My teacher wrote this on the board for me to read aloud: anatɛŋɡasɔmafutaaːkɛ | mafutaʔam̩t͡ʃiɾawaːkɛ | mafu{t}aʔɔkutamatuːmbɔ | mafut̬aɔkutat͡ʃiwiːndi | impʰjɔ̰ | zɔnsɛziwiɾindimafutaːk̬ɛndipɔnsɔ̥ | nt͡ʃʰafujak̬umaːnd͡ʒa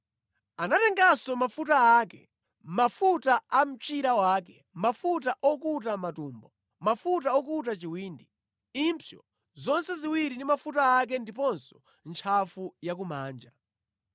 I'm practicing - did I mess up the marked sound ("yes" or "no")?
no